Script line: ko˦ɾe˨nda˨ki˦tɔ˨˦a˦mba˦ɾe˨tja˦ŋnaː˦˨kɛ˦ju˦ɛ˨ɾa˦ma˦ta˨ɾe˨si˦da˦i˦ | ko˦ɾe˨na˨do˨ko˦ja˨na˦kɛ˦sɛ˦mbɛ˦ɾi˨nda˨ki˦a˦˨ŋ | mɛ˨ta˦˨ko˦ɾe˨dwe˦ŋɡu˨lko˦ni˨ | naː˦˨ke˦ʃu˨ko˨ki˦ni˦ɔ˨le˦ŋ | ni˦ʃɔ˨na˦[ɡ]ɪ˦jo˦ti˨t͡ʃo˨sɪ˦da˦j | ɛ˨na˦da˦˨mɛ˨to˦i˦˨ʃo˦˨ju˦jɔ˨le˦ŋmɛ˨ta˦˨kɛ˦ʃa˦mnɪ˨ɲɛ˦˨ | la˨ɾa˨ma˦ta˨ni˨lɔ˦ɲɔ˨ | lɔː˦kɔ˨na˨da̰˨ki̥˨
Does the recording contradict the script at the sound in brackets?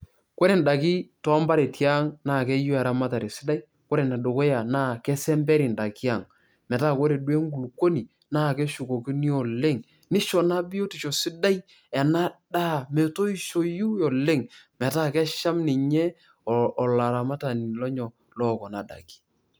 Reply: yes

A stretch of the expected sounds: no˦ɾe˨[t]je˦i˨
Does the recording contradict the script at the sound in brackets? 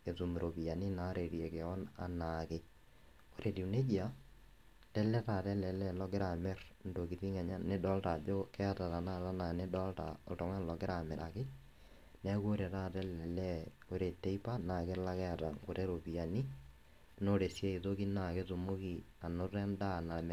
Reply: yes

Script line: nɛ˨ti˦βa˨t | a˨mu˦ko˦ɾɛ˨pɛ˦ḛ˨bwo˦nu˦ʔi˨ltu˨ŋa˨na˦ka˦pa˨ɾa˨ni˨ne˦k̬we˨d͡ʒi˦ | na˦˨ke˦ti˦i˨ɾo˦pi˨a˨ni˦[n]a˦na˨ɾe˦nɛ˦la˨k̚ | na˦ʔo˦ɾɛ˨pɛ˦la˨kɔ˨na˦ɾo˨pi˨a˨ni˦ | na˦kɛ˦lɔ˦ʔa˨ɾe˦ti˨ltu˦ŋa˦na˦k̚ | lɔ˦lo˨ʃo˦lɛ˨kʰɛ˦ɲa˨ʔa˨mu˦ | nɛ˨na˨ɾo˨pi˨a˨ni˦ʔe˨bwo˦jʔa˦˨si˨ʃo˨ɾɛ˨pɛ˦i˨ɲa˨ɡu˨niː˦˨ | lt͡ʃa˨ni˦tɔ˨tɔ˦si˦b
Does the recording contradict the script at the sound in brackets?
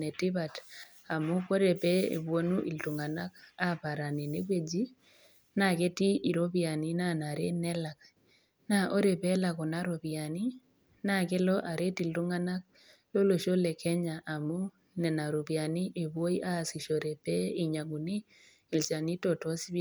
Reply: no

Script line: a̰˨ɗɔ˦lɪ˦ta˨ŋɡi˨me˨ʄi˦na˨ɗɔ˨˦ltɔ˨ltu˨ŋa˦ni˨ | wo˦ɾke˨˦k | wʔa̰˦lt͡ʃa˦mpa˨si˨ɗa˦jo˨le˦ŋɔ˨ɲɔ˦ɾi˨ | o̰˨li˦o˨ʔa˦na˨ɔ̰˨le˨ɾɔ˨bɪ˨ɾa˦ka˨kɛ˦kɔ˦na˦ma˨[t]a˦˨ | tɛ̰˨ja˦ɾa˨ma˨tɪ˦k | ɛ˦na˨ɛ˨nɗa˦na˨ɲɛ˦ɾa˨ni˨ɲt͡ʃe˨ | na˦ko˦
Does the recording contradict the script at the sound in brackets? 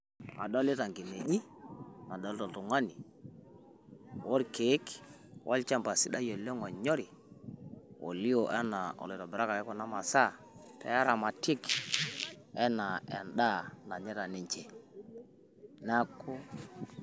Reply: yes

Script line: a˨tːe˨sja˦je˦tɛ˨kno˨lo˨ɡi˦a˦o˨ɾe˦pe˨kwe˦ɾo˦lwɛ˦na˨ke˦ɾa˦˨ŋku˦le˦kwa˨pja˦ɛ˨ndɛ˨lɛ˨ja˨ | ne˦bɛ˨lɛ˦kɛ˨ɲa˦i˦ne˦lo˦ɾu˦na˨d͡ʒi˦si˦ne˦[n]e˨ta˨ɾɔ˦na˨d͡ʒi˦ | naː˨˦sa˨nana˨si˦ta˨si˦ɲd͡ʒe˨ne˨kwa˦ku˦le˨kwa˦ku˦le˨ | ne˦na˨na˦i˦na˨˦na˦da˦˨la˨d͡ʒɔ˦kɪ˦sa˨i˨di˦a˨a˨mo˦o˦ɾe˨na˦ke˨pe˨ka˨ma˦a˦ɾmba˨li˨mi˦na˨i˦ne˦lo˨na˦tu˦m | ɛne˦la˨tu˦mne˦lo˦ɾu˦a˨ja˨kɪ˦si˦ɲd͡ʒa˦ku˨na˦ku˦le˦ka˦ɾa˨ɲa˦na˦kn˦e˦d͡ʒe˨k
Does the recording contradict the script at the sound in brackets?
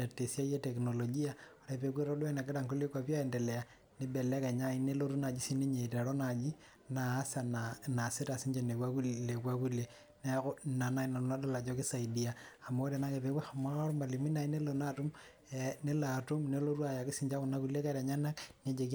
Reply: yes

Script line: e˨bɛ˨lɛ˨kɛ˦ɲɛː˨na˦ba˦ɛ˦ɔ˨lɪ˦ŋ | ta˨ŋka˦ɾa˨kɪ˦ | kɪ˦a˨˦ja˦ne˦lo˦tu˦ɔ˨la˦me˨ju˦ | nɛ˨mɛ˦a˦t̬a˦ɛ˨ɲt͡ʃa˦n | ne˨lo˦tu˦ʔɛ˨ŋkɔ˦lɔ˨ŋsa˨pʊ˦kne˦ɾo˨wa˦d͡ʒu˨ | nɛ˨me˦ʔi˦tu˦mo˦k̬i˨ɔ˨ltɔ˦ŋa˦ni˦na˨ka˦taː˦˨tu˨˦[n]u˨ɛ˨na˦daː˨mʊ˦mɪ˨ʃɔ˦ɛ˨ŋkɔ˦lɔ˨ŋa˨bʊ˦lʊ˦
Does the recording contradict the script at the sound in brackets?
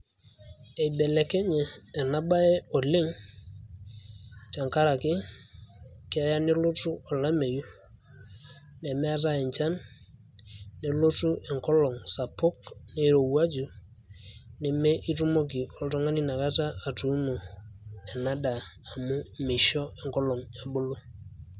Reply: no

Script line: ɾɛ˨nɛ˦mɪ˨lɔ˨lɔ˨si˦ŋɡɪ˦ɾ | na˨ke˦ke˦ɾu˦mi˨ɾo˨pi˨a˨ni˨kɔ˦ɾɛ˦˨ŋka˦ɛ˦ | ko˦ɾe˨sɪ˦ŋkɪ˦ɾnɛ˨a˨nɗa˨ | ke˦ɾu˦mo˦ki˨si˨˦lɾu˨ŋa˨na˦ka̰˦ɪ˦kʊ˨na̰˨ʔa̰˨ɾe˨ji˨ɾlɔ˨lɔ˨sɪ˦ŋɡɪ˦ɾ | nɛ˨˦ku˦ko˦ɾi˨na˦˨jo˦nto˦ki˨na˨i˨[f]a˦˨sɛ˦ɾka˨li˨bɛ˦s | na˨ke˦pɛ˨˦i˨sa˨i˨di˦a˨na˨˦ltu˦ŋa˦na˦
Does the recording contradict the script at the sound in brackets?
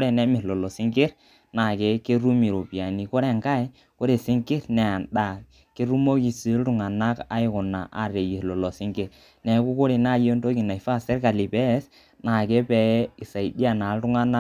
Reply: no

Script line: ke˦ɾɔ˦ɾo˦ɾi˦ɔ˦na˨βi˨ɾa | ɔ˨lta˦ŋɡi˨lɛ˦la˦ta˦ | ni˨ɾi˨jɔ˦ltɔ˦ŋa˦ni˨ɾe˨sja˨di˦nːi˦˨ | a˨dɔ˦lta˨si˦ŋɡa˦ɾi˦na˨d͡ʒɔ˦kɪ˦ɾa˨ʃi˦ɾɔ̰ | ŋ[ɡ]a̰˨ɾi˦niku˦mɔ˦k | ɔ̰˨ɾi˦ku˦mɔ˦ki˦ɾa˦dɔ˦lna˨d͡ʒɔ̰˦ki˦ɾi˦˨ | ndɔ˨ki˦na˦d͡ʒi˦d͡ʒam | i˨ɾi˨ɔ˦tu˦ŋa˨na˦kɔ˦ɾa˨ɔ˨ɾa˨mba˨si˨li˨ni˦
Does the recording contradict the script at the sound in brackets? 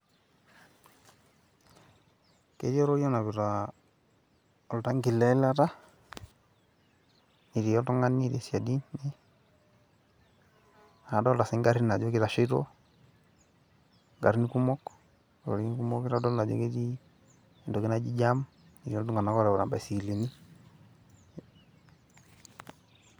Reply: no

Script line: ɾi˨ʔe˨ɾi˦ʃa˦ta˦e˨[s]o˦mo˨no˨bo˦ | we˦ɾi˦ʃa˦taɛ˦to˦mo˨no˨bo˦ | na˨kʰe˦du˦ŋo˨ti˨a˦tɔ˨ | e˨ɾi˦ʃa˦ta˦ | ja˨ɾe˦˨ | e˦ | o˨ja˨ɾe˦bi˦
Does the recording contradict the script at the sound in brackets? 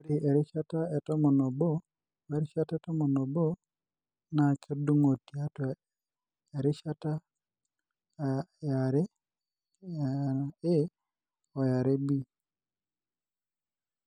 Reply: yes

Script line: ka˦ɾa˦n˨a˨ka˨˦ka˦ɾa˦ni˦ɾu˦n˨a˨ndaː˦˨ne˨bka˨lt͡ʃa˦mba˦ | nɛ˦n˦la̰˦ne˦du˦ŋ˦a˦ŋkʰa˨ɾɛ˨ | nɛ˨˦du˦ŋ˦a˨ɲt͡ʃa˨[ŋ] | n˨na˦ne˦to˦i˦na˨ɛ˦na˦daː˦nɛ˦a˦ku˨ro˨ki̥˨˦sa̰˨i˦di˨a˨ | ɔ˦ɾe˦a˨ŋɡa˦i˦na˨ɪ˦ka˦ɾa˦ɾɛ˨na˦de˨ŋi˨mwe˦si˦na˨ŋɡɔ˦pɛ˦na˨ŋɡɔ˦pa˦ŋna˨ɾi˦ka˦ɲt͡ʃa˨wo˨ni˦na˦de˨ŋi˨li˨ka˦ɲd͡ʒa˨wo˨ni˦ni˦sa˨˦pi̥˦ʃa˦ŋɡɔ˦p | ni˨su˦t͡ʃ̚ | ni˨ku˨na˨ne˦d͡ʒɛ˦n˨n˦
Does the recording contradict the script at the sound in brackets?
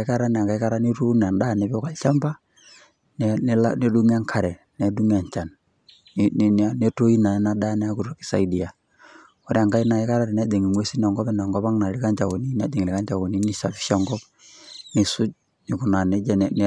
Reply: yes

